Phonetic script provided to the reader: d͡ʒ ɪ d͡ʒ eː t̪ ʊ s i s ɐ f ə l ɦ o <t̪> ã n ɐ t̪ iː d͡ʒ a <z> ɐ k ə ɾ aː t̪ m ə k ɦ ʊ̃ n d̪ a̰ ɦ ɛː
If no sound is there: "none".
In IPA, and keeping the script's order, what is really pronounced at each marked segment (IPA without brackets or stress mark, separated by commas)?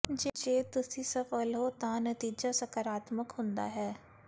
t̪, s